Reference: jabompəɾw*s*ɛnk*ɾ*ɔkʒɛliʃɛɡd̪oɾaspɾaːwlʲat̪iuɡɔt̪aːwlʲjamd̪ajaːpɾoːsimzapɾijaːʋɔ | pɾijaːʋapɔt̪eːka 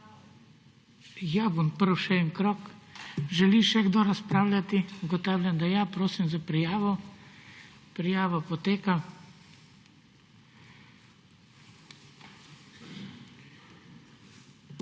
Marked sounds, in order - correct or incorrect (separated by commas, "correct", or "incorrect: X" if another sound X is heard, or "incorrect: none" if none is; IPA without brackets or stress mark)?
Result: incorrect: ʃ, correct